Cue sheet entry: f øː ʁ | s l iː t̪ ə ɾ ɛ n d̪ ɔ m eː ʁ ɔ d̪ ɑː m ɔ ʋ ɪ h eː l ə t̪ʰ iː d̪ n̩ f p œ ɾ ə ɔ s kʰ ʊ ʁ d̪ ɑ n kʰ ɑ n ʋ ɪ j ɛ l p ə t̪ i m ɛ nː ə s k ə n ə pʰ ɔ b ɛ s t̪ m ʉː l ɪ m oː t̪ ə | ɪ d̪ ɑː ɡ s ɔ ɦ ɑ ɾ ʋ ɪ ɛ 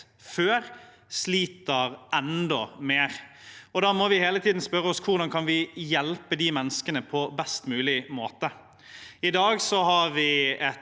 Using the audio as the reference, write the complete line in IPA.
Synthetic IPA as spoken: f øː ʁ | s l iː t̪ ə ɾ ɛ n d̪ ɔ m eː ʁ ɔ d̪ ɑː m ɔ ʋ ɪ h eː l ə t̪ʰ iː d̪ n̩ s p œ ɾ ə ɔ s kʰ ʊ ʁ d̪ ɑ n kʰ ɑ n ʋ ɪ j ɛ l p ə d̪ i m ɛ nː ə s k ə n ə pʰ ɔ b ɛ s t̪ m ʉː l ɪ m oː t̪ ə | ɪ d̪ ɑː ɡ s ɔ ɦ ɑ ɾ ʋ ɪ ɛ

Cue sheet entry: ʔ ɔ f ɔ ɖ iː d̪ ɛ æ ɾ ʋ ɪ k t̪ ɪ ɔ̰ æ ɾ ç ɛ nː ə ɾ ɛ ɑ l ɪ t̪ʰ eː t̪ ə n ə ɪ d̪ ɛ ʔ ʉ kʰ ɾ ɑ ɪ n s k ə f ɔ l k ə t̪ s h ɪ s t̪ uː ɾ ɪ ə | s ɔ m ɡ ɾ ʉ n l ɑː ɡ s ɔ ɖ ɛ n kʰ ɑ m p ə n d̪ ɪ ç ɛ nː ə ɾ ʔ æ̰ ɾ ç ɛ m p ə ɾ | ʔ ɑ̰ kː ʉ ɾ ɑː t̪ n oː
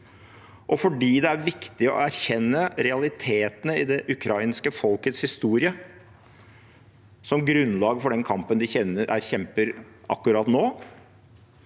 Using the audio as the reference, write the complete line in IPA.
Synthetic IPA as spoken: ʔ ɔ f ɔ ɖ iː d̪ ɛ æ ɾ ʋ ɪ k t̪ ɪ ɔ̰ æ ɾ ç ɛ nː ə ɾ ɛ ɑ l ɪ t̪ʰ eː t̪ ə n ə ɪ d̪ ɛ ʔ ʉ kʰ ɾ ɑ ɪ n s k ə f ɔ l k ə t̪ s h ɪ s t̪ uː ɾ ɪ ə | s ɔ m ɡ ɾ ʉ n l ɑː ɡ f ɔ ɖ ɛ n kʰ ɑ m p ə n d̪ ɪ ç ɛ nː ə ɾ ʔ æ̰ ɾ ç ɛ m p ə ɾ | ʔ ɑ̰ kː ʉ ɾ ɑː t̪ n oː

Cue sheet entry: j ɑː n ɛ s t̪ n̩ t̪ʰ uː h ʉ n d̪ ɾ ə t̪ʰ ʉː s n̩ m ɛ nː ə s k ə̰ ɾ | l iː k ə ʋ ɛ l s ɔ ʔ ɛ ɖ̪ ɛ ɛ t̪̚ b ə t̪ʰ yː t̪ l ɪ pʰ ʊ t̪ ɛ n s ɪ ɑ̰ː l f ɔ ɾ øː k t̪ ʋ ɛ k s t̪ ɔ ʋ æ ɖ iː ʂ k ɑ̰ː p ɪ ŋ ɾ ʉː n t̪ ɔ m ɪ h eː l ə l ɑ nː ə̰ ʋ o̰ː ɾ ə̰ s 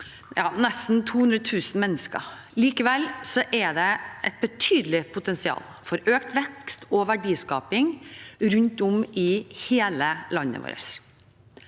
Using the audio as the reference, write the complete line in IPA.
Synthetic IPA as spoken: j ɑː n ɛ s t̪ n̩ t̪ʰ uː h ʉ n d̪ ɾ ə t̪ʰ ʉː s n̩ m ɛ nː ə s k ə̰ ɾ | l iː k ə ʋ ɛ l s ɔ ʔ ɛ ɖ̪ ɛ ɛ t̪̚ b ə t̪ʰ yː d̪ l ɪ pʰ ʊ t̪ ɛ n s ɪ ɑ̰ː l f ɔ ɾ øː k t̪ ʋ ɛ k s t̪ ɔ ʋ æ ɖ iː s k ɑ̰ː p ɪ ŋ ɾ ʉ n t̪ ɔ m ɪ h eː l ə l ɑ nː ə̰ ʋ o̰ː ɾ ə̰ s

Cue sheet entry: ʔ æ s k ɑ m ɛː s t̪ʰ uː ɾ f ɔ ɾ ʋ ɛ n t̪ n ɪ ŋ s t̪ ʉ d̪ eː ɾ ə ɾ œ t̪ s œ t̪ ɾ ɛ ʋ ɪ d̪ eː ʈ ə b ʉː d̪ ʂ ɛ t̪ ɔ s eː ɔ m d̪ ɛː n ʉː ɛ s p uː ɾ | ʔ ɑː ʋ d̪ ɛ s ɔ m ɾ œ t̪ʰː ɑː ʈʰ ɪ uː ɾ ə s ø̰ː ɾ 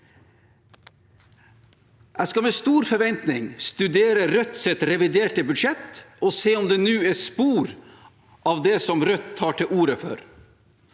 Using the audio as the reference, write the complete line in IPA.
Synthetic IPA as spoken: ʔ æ s k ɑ m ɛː s t̪ uː ɾ f ɔ ɾ ʋ ɛ n t̪ n ɪ ŋ s t̪ ʉ d̪ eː ɾ ə ɾ œ t̪ s ɛ t̪ ɾ ɛ ʋ ɪ d̪ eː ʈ ə b ʉ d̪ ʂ ɛ t̪ ɔ s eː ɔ m d̪ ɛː n ʉː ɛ s p uː ɾ | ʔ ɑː ʋ d̪ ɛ s ɔ m ɾ œ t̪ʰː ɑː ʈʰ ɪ uː ɾ ə f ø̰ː ɾ

